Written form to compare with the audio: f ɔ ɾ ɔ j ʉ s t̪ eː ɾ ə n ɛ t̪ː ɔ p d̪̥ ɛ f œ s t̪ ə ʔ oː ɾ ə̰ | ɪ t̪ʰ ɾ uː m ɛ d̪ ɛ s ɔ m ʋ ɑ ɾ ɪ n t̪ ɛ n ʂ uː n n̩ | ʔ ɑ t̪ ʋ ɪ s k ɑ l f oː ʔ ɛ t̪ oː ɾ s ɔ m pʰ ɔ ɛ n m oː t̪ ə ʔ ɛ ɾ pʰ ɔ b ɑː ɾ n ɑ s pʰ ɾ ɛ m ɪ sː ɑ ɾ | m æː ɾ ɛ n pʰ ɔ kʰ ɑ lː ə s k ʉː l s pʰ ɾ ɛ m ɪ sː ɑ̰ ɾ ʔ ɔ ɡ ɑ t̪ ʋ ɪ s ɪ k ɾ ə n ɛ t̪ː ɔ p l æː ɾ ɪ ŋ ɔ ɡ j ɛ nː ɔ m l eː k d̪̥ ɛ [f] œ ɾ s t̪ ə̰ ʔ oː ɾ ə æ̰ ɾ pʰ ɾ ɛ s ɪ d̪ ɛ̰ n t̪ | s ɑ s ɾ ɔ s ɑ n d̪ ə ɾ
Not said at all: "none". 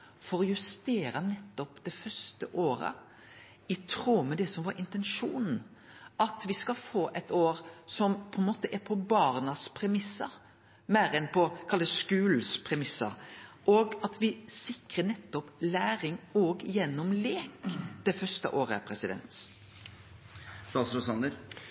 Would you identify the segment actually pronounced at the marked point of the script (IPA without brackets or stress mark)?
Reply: f